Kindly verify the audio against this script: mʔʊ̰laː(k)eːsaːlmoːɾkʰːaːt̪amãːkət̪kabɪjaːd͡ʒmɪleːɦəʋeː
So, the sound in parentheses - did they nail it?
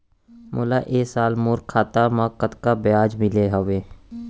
no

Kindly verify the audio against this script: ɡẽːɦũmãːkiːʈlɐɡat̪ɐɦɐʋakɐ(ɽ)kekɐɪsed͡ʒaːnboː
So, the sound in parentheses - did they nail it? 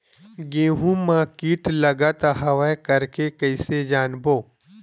no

